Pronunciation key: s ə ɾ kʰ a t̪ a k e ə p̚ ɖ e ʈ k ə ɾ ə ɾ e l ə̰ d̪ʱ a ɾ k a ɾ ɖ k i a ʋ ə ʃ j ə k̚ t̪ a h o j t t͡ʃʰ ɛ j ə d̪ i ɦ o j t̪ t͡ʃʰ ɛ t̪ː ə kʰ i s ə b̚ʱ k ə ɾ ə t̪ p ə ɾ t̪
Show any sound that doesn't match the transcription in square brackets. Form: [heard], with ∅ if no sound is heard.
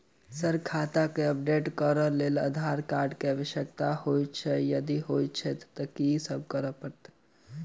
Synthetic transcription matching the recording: s ə ɾ kʰ a t̪ a k e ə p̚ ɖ e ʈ k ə ɾ ə [l] e l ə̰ d̪ʱ a ɾ k a ɾ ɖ k [e] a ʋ ə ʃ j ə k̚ t̪ a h o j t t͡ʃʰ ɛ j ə d̪ i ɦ o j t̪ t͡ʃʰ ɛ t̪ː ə [k] i s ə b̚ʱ k ə ɾ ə [∅] p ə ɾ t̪